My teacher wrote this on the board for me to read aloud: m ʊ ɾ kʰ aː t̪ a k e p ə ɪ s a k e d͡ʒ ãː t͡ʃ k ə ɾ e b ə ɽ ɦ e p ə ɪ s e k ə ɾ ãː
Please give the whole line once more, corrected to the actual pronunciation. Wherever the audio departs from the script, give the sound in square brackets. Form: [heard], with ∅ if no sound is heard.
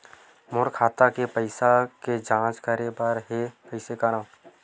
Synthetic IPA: m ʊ ɾ kʰ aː t̪ a k e p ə ɪ s a k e d͡ʒ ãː t͡ʃ k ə ɾ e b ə [ɾ] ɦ e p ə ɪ s e k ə ɾ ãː